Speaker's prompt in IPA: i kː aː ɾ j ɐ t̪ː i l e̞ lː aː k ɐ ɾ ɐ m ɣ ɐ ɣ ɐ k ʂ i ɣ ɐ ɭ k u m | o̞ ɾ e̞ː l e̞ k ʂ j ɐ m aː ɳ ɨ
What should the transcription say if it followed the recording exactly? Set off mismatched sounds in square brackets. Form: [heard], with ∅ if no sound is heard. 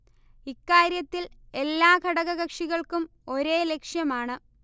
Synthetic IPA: i kː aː ɾ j ɐ t̪ː i l e̞ lː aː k ɐ [ɽ] ɐ [∅] ɣ ɐ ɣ ɐ k ʂ i ɣ ɐ ɭ k u m | o̞ ɾ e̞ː l e̞ k ʂ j ɐ m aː ɳ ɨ